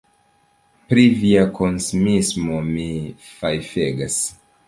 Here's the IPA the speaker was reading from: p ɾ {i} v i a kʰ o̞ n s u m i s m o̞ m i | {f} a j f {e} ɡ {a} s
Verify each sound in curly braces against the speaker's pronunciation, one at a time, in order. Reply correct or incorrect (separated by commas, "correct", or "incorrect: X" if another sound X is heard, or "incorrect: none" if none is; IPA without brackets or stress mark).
correct, correct, correct, correct